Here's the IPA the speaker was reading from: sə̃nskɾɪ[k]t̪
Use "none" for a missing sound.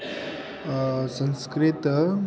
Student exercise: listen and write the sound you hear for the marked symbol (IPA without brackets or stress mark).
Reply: none